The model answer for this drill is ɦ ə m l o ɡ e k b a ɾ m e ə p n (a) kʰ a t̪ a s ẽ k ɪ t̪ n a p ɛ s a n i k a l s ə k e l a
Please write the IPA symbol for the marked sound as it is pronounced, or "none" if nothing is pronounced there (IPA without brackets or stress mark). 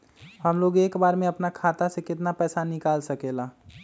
a